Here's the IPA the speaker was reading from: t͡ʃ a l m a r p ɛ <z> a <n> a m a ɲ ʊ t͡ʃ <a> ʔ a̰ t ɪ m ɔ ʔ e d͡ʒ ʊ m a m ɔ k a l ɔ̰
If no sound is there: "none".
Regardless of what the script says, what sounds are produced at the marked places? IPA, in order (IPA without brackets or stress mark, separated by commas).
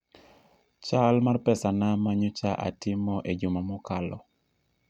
s, n, a